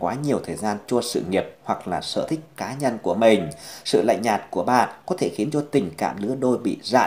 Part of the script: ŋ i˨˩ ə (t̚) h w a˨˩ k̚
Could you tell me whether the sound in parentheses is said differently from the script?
yes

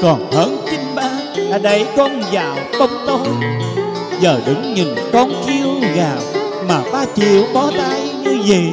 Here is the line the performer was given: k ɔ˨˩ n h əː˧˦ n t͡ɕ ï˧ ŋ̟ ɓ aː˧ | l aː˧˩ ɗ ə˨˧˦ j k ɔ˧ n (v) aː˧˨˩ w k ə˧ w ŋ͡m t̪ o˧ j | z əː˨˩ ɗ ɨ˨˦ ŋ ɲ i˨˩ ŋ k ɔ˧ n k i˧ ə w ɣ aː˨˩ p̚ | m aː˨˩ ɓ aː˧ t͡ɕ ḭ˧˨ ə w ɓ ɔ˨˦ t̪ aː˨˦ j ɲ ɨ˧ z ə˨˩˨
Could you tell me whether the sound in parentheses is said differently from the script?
yes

